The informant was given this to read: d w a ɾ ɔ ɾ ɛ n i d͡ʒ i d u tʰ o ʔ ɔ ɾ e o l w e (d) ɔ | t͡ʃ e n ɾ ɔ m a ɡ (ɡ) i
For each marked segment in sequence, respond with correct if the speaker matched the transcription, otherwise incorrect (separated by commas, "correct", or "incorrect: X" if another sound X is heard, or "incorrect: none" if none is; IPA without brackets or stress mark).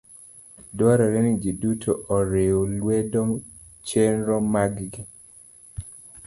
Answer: correct, correct